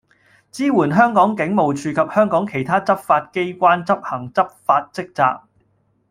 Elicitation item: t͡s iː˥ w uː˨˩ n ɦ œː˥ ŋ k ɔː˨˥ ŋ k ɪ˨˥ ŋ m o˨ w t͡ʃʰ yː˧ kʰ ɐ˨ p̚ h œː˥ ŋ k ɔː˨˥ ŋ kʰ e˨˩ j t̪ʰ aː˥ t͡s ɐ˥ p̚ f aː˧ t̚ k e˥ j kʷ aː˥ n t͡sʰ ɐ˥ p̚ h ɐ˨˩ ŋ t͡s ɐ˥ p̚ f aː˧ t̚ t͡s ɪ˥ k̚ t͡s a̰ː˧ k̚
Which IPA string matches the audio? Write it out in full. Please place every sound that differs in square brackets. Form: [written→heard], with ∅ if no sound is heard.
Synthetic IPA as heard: t͡s iː˥ w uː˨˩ n ɦ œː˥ ŋ k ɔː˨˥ ŋ k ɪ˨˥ ŋ m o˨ w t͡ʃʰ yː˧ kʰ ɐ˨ p̚ h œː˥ ŋ k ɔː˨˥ ŋ kʰ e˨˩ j t̪ʰ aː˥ t͡s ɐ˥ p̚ f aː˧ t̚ k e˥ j kʷ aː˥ n [t͡sʰ→t͡s] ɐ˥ p̚ h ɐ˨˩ ŋ t͡s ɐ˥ p̚ f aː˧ t̚ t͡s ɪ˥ k̚ t͡s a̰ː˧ k̚